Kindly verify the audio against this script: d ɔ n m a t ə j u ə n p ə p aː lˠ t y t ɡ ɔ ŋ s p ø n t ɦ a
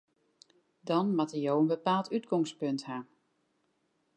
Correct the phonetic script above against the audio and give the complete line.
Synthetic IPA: d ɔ n m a t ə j o ə n b ə p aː lˠ t y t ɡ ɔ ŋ s p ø n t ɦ a